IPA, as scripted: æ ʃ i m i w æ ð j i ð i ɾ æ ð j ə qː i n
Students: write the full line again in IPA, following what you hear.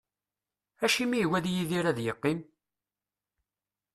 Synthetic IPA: æ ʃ i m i w æ ð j i ð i ɾ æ ð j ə qː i m

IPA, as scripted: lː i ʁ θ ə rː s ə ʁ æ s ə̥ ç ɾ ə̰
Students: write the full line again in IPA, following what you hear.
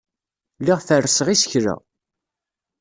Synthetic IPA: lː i ʁ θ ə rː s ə ʁ i s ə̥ ç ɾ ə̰

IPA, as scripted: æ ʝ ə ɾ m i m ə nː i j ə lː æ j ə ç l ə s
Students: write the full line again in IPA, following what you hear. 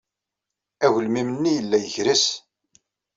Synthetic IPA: æ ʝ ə l m i m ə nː i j ə lː æ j ə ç ɾ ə s

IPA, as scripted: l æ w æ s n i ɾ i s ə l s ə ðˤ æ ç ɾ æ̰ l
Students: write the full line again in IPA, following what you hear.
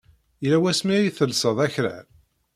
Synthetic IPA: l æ w æ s m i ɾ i θ ə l s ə ðˤ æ ç ɾ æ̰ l

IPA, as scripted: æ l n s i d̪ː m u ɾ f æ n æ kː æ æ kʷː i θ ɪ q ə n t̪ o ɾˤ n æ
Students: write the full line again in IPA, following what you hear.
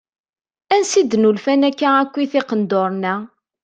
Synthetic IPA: æ n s i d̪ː n u l f æ n æ kː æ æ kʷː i θ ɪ q ə n d̪ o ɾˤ n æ

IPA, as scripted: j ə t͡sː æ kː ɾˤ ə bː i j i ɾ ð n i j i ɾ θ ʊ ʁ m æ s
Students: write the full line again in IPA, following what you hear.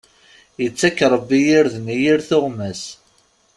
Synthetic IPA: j ə t͡sː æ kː ɾˤ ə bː i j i ɾ ð n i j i ɾ θ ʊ ʁ m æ s

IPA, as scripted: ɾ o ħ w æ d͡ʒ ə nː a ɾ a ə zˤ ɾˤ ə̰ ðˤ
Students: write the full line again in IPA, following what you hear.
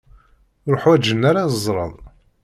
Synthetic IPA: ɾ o ħ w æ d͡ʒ ə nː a ɾ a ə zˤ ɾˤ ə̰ ðˤ

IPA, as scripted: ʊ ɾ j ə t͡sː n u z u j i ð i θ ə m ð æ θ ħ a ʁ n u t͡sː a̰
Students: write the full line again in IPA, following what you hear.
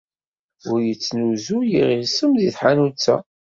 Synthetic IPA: ʊ ɾ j ə t͡sː n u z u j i ʁ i s ə m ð i θ ħ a n u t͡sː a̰

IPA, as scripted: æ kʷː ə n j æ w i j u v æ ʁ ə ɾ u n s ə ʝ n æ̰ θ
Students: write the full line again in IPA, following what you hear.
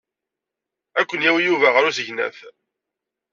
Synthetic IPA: æ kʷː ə n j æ w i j u v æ ʁ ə ɾ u s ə ʝ n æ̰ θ

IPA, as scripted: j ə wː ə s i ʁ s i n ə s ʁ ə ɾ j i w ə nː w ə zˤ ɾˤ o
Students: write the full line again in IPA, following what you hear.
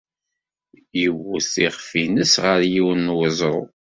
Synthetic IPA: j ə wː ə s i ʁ f i n ə s ʁ ə ɾ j i w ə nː w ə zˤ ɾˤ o

